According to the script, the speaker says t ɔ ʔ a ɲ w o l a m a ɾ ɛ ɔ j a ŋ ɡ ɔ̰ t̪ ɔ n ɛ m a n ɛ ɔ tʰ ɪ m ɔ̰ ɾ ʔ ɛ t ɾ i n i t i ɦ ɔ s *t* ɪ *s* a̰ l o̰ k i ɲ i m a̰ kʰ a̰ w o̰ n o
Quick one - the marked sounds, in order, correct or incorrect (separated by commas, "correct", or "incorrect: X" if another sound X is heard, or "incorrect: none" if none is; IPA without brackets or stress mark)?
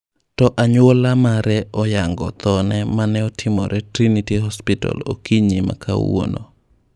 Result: incorrect: p, incorrect: t